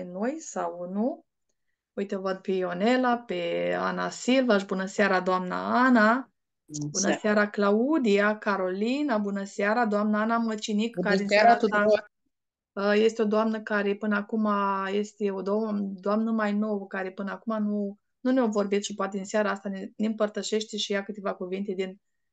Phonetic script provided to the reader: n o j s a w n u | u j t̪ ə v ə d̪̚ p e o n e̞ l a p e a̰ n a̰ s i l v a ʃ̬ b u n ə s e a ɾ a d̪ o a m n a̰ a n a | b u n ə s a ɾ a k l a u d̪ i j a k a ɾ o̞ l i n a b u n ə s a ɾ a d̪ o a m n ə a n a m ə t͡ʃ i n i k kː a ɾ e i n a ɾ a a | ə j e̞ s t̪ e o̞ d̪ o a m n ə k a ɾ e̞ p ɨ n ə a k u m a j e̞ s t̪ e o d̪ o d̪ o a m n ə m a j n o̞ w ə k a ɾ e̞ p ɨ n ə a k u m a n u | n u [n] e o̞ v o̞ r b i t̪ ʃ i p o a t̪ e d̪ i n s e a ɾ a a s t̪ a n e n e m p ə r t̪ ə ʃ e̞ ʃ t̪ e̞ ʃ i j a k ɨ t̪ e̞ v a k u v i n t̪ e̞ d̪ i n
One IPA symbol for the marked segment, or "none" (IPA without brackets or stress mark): n